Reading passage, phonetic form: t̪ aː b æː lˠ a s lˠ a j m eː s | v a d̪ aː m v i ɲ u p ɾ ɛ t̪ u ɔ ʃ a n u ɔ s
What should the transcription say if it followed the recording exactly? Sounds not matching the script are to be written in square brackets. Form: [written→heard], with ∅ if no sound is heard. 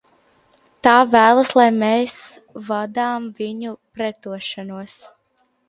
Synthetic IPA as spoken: t̪ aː [b→v] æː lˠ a s lˠ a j m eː s | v a d̪ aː m v i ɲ u p ɾ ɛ t̪ u ɔ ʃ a n u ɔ s

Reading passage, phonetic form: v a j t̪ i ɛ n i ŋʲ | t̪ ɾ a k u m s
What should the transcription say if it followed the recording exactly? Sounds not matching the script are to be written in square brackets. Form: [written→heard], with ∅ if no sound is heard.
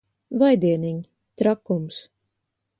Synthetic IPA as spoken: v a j [t̪→d̪] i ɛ n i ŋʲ | t̪ ɾ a k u m s

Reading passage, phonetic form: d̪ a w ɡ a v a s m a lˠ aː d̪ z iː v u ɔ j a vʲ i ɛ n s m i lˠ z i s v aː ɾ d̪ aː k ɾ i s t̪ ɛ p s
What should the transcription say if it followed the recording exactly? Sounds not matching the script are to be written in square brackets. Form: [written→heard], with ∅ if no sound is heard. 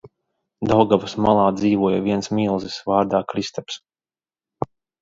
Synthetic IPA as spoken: d̪ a w ɡ a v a s m a lˠ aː d̪ z iː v u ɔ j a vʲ i ɛ n s m i lˠ z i s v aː ɾ d̪ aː k ɾ i s t̪ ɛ p s

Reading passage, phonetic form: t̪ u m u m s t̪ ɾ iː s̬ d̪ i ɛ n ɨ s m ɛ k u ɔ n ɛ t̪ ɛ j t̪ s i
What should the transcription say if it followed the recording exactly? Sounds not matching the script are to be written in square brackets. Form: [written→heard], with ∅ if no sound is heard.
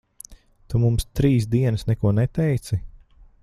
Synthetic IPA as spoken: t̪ u m u m s t̪ ɾ iː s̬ d̪ i ɛ n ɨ s [m→n] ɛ k u ɔ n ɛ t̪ ɛ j t̪ s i

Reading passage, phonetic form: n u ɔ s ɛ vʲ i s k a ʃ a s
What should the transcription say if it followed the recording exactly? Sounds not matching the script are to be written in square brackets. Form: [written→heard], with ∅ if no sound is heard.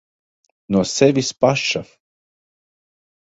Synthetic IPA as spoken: n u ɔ s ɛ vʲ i s [k→p] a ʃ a [s→f]

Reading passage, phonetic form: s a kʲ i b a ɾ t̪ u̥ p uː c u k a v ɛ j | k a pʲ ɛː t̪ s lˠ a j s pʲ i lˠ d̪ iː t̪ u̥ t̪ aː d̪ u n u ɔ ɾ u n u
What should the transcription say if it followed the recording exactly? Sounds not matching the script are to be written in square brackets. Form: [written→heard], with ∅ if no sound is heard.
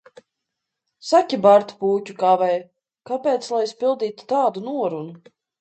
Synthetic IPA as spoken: s a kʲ i b a ɾ t̪ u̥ p uː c u k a v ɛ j | k a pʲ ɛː t̪ s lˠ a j s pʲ i lˠ d̪ iː t̪ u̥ t̪ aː d̪ u n u ɔ ɾ u n u

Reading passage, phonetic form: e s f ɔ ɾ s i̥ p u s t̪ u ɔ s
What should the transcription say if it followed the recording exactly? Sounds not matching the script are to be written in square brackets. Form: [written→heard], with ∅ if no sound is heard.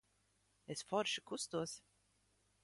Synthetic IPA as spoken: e s f ɔ ɾ [s→ʃ] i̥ [p→k] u s t̪ u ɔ s

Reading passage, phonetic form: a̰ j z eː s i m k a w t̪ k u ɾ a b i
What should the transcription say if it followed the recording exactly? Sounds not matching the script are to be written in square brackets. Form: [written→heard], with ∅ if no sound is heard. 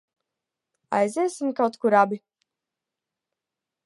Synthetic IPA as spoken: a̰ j z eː s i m k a w t̪ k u ɾ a b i

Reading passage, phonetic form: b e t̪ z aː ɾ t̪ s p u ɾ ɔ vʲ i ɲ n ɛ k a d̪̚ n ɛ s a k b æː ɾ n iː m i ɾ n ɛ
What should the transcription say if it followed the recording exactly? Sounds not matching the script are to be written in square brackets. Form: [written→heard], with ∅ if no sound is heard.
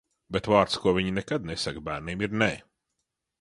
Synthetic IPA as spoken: b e t̪ [z→v] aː ɾ t̪ s [p→k] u [ɾ→∅] ɔ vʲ i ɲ n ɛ k a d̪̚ n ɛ s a k b æː ɾ n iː m i ɾ n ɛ

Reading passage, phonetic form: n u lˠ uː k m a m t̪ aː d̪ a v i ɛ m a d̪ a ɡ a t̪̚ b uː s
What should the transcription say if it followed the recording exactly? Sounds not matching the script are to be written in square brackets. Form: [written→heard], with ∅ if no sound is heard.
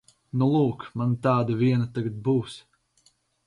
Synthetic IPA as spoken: n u lˠ uː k m a [m→n] t̪ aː d̪ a v i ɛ [m→n] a [d̪→t̪] a ɡ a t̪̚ b uː s

